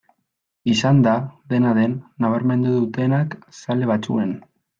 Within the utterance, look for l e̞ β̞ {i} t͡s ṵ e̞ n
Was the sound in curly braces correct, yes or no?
no